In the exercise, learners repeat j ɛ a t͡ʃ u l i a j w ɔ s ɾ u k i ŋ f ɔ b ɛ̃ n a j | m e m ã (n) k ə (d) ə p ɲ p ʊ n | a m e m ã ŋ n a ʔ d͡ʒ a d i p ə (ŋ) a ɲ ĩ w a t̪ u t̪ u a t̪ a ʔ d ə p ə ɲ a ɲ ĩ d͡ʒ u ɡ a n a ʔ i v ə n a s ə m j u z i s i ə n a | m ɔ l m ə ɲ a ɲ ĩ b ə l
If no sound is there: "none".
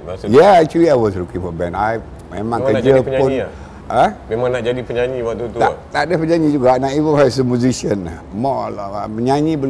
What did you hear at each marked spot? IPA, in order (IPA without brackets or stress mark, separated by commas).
ŋ, d͡ʒ, ɲ